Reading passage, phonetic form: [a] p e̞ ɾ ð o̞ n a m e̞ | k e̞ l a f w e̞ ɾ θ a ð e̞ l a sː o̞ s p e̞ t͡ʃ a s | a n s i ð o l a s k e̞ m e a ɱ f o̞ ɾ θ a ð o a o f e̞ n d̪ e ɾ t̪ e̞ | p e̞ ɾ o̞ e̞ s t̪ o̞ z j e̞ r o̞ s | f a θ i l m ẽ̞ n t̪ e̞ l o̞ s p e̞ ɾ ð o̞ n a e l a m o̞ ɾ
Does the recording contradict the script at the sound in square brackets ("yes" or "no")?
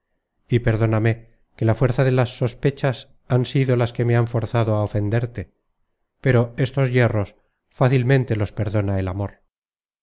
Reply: yes